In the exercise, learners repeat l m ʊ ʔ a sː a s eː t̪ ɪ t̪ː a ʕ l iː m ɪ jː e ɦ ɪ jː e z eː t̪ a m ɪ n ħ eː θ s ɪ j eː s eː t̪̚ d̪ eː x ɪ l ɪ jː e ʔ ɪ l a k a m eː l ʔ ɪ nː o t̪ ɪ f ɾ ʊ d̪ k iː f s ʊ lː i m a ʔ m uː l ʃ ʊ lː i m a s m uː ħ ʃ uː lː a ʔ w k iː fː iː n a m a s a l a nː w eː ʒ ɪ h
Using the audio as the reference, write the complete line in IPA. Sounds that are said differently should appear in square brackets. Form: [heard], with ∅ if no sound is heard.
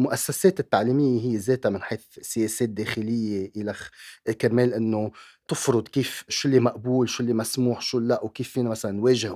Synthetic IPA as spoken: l m ʊ ʔ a sː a s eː t̪ ɪ t̪ː a ʕ l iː m ɪ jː e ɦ ɪ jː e z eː t̪ a m ɪ n ħ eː θ s ɪ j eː s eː t̪̚ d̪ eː x ɪ l ɪ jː e ʔ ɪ l a k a m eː l ʔ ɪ nː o t̪ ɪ f ɾ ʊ d̪ k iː f [ʃ] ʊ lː i m a ʔ [b] uː l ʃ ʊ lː i m a s m uː ħ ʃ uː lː a ʔ w k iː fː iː n a m a s a l a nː w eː ʒ ɪ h